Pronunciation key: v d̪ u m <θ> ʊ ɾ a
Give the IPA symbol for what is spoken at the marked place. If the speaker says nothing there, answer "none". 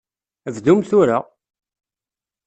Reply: θ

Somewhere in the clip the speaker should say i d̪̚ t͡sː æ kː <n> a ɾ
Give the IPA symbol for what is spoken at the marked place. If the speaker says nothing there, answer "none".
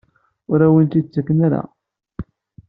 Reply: n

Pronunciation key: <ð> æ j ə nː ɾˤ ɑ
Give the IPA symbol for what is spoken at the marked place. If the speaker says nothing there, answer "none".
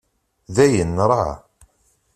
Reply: ð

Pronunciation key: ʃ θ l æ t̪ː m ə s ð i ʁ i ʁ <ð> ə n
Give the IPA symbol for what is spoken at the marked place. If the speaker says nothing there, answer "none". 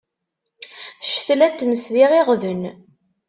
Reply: ð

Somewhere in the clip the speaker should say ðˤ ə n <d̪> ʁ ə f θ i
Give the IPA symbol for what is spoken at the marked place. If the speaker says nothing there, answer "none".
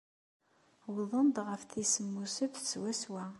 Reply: d̪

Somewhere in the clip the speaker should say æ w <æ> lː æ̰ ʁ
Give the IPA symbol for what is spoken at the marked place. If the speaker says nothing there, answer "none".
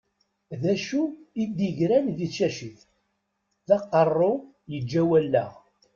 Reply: æ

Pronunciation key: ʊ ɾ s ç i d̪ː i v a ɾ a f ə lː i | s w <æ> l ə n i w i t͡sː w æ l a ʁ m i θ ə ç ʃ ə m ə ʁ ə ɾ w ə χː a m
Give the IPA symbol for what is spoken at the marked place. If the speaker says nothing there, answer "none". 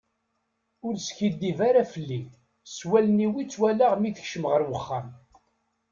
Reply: æ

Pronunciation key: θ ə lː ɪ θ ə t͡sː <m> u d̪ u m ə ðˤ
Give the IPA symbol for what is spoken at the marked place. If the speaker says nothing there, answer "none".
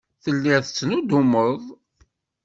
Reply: n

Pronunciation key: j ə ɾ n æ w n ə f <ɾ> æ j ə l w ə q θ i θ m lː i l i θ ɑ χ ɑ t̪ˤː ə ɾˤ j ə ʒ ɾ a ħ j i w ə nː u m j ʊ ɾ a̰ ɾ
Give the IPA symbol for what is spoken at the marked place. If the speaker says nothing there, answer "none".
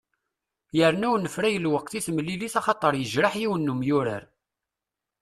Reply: ɾ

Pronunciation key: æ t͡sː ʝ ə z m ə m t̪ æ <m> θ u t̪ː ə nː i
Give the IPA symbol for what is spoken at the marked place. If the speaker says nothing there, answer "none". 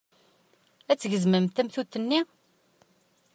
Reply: m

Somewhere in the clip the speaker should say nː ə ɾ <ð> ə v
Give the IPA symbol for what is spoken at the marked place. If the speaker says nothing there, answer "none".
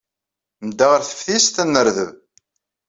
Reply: ð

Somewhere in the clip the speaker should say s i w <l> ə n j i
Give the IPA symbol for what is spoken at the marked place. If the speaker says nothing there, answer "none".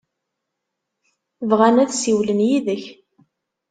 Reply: l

